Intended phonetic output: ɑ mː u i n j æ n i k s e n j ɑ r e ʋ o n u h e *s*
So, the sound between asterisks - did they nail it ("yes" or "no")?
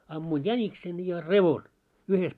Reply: yes